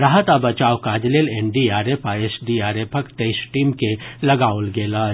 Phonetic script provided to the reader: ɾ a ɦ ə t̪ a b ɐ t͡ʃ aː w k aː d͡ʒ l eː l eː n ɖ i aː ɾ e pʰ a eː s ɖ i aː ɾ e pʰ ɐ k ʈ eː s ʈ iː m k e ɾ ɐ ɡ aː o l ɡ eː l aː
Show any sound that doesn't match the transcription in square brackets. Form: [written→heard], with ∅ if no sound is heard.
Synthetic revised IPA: ɾ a ɦ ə t̪ a b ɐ t͡ʃ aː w k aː d͡ʒ l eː l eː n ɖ i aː ɾ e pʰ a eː s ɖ i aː ɾ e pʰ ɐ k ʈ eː s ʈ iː m k e [ɾ→l] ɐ ɡ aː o l ɡ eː l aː